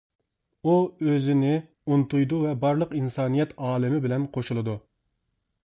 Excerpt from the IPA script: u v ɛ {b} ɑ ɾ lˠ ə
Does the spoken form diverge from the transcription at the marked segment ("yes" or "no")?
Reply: no